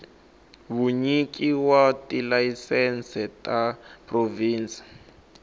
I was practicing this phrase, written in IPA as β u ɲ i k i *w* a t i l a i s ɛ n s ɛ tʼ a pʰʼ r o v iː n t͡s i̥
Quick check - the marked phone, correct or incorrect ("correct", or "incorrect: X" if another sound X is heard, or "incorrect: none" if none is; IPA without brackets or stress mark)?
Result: correct